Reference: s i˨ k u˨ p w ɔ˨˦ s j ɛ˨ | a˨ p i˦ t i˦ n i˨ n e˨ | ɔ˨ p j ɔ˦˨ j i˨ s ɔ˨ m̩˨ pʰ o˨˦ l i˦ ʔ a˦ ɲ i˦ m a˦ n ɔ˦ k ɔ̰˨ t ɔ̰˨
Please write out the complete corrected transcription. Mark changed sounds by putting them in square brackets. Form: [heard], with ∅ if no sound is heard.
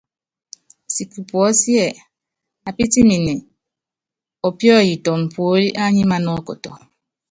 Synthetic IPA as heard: s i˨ k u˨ p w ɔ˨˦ s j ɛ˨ | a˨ p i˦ t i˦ n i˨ n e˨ | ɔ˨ p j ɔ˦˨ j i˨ [t] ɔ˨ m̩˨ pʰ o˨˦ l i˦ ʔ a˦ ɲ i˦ m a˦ n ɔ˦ k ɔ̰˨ t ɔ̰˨